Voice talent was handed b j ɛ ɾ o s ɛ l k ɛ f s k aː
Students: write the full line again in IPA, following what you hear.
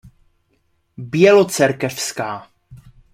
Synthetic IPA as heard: b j ɛ l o t͡s ɛ ɾ k ɛ f s k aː